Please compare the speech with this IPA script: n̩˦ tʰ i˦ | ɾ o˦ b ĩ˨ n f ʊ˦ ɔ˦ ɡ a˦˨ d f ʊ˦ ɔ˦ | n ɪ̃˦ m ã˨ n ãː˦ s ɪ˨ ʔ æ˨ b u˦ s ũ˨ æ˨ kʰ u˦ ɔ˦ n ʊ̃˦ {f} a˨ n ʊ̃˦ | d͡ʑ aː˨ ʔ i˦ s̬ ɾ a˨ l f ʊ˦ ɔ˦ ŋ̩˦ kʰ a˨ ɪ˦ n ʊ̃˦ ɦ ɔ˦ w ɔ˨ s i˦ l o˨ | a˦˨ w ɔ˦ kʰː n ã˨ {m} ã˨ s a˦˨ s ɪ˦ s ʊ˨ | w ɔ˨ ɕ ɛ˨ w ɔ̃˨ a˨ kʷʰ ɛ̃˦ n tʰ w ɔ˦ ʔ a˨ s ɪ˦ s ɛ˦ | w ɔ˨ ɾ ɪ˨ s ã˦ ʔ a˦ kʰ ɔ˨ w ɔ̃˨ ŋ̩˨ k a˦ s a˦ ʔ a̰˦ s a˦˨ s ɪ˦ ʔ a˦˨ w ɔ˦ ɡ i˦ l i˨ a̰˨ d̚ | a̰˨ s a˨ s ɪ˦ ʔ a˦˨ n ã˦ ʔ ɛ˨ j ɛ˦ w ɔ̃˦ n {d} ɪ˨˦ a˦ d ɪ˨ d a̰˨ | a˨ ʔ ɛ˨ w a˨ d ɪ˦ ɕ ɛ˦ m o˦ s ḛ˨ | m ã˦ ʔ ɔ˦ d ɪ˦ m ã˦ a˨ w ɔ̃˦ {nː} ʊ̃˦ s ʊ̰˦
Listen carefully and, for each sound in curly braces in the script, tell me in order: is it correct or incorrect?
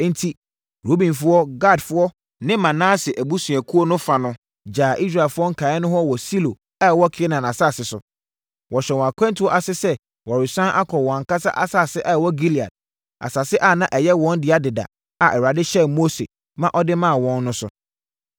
correct, incorrect: n, correct, correct

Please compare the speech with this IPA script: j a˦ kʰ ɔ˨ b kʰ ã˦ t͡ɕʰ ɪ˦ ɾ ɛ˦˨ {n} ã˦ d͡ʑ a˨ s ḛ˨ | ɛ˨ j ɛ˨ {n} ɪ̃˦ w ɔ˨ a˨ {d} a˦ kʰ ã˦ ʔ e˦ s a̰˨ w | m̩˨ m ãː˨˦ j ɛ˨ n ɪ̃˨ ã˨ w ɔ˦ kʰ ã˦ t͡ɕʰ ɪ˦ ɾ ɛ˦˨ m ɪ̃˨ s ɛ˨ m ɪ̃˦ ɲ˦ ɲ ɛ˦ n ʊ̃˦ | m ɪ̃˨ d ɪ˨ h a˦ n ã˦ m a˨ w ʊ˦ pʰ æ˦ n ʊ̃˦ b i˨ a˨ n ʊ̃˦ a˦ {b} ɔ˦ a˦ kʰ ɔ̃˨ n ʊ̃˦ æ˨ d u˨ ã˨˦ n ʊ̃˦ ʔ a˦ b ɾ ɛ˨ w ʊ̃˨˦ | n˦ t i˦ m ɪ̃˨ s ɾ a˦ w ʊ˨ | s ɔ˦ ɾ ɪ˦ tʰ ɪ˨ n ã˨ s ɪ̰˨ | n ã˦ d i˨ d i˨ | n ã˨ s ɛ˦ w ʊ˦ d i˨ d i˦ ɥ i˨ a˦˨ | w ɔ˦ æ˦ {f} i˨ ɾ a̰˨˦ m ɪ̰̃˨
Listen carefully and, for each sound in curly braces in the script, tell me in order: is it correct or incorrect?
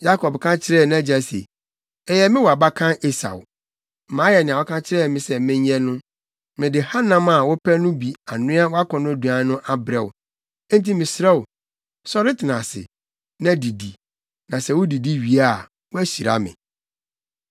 correct, incorrect: m, incorrect: b, incorrect: w, incorrect: ɕ

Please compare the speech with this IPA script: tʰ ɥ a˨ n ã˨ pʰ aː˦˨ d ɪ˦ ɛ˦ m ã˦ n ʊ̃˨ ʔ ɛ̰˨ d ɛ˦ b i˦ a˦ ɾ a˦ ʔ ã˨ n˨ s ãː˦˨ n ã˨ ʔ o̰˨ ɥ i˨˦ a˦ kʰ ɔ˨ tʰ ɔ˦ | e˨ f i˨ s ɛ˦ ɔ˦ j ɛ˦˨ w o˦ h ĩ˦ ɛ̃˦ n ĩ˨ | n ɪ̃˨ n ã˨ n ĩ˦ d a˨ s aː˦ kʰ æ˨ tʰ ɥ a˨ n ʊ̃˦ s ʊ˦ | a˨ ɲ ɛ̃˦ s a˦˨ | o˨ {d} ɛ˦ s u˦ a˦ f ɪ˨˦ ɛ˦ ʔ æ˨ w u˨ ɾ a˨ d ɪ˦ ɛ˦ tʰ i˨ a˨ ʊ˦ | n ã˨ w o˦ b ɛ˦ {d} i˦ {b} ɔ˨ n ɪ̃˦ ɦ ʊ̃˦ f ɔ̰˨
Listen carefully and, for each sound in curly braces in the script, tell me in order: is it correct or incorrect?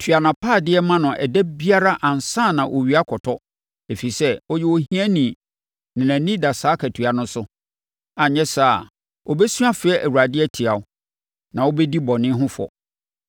incorrect: b, correct, correct

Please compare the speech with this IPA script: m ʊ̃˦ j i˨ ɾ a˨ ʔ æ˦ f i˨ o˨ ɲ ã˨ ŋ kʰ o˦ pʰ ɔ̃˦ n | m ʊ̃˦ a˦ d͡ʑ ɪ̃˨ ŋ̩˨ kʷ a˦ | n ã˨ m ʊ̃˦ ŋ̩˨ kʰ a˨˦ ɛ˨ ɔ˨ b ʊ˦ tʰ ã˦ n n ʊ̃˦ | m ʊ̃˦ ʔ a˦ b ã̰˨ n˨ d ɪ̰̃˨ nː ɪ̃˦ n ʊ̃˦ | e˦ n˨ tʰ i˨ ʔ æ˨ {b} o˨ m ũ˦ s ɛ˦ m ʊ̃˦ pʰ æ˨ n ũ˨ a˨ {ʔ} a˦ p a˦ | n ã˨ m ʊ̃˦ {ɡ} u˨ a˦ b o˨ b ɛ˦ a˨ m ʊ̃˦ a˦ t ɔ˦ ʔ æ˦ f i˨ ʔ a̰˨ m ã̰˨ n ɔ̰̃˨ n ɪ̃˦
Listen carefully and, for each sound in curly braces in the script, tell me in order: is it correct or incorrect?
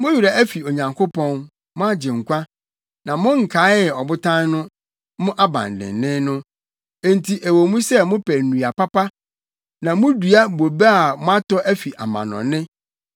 incorrect: w, incorrect: p, incorrect: d

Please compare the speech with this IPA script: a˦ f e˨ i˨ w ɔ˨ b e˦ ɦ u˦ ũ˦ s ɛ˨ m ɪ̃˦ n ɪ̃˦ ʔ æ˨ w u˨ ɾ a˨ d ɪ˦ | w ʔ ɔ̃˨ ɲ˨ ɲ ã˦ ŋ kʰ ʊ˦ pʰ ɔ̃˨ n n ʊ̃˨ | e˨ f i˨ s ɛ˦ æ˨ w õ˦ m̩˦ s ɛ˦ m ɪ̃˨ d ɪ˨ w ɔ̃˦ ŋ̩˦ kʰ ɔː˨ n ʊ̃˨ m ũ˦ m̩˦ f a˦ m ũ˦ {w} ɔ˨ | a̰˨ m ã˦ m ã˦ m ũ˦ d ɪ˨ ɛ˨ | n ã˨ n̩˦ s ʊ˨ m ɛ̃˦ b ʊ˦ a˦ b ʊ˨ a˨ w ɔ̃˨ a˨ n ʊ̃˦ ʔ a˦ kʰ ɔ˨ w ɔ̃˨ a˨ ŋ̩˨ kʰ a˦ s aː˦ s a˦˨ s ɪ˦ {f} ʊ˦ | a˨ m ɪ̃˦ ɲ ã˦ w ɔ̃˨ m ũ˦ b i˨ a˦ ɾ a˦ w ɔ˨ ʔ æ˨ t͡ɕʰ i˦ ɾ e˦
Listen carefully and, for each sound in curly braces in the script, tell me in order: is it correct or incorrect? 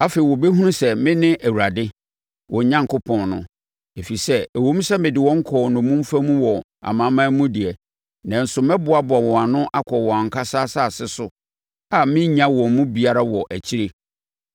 correct, incorrect: s

